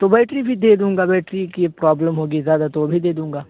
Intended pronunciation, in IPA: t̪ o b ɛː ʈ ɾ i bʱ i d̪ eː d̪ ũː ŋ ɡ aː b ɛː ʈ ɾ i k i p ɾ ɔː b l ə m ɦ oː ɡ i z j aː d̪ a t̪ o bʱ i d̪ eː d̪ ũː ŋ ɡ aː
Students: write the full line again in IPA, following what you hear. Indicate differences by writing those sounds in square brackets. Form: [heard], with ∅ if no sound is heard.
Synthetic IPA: t̪ o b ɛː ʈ ɾ i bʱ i d̪ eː d̪ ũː ŋ ɡ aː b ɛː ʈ ɾ i k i p ɾ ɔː b l ə m ɦ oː ɡ i z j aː d̪ a t̪ o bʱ i d̪ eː d̪ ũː ŋ ɡ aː